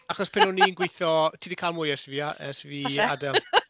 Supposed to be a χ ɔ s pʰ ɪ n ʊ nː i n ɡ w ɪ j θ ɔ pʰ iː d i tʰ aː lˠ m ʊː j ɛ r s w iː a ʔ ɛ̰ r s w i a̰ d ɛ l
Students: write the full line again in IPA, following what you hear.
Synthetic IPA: a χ ɔ s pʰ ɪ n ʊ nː i n ɡ w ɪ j θ ɔ tʰ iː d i kʰ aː lˠ m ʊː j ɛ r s v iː a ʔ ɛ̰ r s v i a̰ d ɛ l